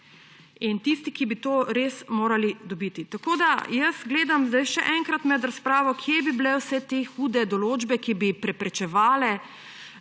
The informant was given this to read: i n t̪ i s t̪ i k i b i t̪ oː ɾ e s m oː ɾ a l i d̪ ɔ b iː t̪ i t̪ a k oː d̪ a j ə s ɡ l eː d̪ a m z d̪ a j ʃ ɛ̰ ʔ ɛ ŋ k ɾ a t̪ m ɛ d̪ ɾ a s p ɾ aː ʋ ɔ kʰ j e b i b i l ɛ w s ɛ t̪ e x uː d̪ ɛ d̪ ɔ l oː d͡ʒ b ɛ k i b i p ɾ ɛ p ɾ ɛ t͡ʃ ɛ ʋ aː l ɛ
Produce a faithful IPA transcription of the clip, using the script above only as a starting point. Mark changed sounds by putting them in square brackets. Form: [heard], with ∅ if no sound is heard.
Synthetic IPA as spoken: i n t̪ i s t̪ i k i b i t̪ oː ɾ e s m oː ɾ a l i d̪ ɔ b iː t̪ i t̪ a k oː d̪ a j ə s ɡ l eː d̪ a m z d̪ a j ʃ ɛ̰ ʔ ɛ ŋ k ɾ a t̪ m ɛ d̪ ɾ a s p ɾ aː ʋ ɔ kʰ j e b i b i l ɛ w s ɛ t̪ e x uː d̪ ɛ d̪ ɔ l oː d͡ʒ b ɛ k i b i p ɾ ɛ p ɾ ɛ t͡ʃ ɛ ʋ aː l ɛ